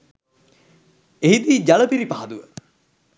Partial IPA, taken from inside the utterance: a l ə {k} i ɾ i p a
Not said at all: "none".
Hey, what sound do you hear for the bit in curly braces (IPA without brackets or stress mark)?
p